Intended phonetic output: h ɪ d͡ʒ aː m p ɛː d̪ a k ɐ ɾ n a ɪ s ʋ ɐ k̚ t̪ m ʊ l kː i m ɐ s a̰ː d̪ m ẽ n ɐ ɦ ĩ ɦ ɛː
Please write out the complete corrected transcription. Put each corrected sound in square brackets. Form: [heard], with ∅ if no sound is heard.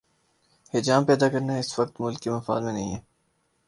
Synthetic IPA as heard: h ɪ d͡ʒ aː m p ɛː d̪ a k ɐ ɾ n a ɪ s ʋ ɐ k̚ t̪ m ʊ l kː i m ɐ [f] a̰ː d̪ m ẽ n ɐ ɦ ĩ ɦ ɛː